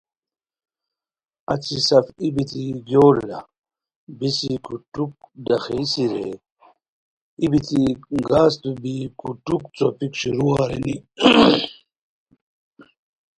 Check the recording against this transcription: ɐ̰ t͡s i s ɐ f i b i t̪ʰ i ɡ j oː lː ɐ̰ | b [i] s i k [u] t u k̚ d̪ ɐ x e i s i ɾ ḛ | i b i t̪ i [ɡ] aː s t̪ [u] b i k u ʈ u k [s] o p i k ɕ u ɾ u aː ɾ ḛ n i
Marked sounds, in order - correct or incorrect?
correct, correct, correct, correct, incorrect

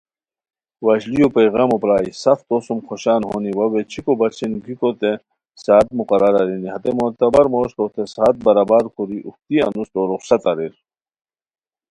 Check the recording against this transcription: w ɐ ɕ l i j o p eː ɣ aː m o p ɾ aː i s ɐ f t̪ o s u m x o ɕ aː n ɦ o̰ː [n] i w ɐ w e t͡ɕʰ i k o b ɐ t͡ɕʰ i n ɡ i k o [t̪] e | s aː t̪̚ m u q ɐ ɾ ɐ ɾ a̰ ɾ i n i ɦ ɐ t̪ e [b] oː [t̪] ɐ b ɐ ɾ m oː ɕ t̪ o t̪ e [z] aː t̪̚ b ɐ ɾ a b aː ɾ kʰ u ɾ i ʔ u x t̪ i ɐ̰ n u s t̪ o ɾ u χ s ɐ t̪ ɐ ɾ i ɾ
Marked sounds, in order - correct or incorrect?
correct, correct, incorrect, correct, incorrect

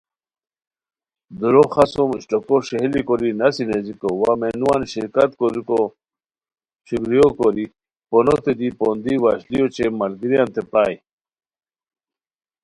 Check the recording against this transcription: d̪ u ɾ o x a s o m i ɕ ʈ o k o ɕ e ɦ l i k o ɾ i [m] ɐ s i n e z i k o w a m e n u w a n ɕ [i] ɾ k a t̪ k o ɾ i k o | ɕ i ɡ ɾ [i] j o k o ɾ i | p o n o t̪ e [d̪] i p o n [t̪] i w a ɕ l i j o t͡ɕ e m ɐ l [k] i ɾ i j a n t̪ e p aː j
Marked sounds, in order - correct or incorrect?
incorrect, correct, correct, correct, incorrect, incorrect

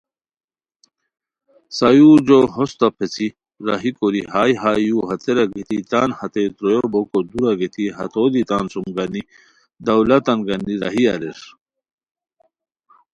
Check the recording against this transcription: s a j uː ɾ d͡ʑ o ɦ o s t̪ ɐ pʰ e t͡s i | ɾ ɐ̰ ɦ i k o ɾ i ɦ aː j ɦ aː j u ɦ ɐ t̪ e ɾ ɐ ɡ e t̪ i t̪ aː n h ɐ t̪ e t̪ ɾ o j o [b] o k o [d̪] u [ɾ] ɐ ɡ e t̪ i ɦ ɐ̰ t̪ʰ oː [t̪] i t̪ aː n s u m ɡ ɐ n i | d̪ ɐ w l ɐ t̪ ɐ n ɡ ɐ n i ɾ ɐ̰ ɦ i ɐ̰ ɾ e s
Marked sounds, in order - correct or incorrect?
correct, correct, correct, incorrect

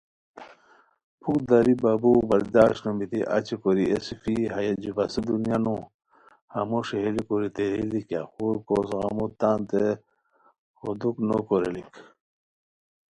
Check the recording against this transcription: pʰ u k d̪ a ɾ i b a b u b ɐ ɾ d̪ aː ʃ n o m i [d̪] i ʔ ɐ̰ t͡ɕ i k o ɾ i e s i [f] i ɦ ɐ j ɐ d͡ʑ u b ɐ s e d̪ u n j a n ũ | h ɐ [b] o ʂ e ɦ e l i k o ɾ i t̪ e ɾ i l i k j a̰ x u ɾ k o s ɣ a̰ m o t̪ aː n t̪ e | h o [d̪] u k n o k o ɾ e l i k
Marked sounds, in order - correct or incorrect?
incorrect, correct, incorrect, correct

